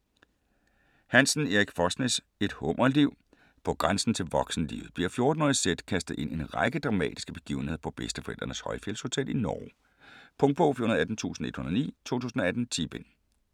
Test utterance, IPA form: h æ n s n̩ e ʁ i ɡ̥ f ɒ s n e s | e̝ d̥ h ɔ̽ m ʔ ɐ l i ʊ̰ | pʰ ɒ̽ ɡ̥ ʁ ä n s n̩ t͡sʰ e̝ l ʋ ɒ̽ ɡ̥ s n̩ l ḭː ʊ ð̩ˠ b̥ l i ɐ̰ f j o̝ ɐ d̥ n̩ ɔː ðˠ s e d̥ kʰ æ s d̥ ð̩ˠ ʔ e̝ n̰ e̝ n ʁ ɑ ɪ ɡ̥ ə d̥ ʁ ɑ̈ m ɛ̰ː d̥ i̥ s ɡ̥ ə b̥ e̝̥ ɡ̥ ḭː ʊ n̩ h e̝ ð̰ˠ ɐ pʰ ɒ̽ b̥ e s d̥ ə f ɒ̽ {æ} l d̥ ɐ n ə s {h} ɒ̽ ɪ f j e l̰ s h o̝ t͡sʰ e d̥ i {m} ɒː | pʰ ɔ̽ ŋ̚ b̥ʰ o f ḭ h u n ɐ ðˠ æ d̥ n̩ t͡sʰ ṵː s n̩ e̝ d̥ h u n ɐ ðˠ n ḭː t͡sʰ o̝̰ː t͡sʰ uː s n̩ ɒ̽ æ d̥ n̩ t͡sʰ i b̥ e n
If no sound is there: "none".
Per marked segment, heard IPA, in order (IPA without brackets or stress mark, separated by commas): e, h, n